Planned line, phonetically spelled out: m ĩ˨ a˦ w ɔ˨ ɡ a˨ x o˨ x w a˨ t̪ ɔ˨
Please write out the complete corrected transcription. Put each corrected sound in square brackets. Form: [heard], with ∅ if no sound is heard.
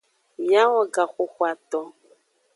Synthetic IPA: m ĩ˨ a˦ w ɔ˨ ɡ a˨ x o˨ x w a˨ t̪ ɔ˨

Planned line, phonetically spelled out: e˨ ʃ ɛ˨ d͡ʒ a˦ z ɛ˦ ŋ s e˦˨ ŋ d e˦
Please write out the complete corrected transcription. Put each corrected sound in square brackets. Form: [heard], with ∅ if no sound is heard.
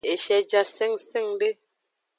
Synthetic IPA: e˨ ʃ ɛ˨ d͡ʒ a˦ [s] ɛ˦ ŋ s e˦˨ ŋ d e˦

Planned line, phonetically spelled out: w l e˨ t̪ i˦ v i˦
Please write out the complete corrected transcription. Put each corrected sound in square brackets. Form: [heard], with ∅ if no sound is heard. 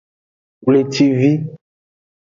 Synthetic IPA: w l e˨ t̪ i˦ v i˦

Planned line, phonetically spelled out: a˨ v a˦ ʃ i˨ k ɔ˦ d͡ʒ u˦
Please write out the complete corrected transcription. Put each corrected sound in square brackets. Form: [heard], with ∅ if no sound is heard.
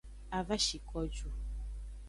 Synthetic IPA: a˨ v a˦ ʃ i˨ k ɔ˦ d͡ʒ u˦

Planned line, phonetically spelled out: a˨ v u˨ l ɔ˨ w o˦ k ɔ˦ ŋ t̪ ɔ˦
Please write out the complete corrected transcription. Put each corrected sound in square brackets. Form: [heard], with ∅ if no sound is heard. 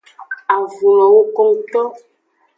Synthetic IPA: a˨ v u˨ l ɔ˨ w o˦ k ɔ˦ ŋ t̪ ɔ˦

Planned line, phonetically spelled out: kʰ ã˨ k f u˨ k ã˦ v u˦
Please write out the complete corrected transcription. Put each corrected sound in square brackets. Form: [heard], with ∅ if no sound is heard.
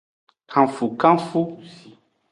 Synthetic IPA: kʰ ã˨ [∅] f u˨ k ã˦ [f] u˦

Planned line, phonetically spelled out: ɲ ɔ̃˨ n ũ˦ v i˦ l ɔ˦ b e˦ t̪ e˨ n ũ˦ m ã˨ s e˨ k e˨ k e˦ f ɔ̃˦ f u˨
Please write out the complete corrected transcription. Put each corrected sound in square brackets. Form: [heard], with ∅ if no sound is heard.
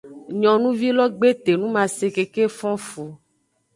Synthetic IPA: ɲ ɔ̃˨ n ũ˦ v i˦ l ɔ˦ [ɡ͡b] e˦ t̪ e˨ n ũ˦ m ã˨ s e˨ k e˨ k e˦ f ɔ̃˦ f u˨

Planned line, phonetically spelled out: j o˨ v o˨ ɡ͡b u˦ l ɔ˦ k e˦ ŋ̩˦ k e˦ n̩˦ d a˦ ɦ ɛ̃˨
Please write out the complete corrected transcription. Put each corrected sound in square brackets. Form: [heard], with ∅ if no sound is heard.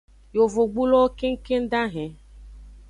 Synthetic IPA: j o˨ v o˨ ɡ͡b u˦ l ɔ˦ k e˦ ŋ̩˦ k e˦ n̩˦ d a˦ ɦ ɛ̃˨

